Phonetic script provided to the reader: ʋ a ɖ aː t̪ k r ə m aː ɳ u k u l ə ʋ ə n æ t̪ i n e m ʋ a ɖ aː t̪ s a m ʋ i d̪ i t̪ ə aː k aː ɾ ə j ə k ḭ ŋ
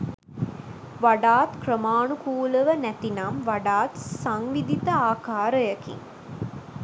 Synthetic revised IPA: ʋ a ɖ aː t̪ k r ə m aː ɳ u k uː l ə ʋ ə n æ t̪ i n a m ʋ a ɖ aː t̪ s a ŋ ʋ i d̪ i t̪ ə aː k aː ɾ ə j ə k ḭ ŋ

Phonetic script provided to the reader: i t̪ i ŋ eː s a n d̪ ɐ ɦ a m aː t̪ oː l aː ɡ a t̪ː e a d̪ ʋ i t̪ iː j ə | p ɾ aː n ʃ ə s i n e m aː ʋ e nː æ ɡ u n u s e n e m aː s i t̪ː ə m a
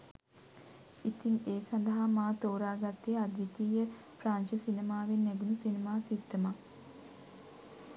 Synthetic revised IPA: i t̪ i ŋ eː s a n d̪ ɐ ɦ a m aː t̪ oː ɾ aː ɡ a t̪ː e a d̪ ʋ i t̪ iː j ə | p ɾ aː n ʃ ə s i n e m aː ʋ e nː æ ɡ u n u s i n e m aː s i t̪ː ə m a

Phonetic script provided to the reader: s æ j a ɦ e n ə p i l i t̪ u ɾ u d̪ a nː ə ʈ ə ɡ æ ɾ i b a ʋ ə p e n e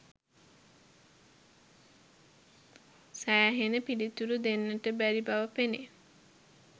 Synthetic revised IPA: s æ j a ɦ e n ə p i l i t̪ u ɾ u d̪ e nː ə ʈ ə b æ ɾ i b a ʋ ə p e n e

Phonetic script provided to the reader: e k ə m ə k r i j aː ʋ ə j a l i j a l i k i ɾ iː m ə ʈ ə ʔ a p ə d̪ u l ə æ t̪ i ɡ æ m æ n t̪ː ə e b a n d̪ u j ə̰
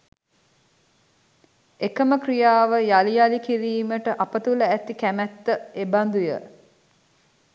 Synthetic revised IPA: e k ə m ə k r i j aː ʋ ə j a l i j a l i k i ɾ iː m ə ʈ ə ʔ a p ə t̪ u l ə æ t̪ i k æ m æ t̪ː ə e b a n d̪ u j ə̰

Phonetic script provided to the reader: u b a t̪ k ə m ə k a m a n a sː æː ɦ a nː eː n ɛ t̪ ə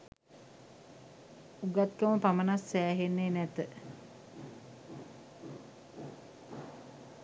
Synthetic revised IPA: u ɡ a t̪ k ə m ə p a m ə n a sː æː ɦ e nː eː n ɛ t̪ ə

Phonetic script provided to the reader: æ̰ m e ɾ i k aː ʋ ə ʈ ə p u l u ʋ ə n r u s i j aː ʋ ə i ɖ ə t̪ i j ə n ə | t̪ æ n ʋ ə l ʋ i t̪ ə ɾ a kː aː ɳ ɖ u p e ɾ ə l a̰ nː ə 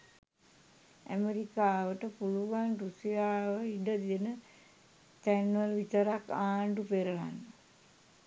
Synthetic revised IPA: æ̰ m e ɾ i k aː ʋ ə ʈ ə p u l u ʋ a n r u s i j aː ʋ ə i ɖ ə d̪ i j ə n ə | t̪ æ n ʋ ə l ʋ i t̪ ə ɾ a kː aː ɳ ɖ u p e ɾ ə l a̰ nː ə

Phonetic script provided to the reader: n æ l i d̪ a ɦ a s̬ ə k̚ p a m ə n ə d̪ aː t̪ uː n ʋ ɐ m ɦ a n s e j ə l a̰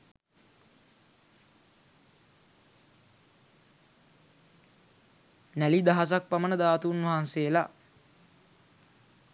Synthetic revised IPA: n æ l i d̪ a ɦ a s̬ a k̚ p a m ə n ə d̪ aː t̪ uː n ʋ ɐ ɦ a n s e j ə l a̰

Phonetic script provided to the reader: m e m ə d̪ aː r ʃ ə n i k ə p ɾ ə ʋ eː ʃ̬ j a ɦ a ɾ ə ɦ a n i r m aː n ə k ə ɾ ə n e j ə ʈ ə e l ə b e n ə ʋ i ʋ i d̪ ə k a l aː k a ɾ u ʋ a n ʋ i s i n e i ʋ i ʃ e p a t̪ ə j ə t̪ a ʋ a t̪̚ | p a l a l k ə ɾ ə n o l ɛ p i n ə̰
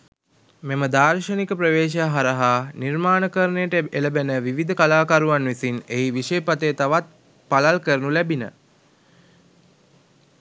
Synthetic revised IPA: m e m ə d̪ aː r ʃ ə n i k ə p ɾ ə ʋ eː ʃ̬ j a ɦ a ɾ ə ɦ a n i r m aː n ə k ə ɾ ə n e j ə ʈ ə e l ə b e n ə ʋ i ʋ i d̪ ə k a l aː k a ɾ u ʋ a n ʋ i s i n e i ʋ i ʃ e p a t̪ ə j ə t̪ a ʋ a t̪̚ | p a l a l k ə ɾ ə n u l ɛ b i n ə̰

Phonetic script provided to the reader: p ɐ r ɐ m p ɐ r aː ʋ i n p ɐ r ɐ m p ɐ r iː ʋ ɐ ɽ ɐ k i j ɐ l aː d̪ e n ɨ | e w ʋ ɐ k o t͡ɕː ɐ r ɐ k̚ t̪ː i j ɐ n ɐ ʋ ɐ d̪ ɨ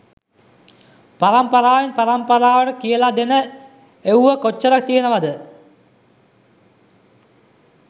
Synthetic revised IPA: p ɐ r ɐ m p ɐ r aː ʋ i n p ɐ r ɐ m p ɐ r aː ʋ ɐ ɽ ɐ k i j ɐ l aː d̪ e n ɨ | e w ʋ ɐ k o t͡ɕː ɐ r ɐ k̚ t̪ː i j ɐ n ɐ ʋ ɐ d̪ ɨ

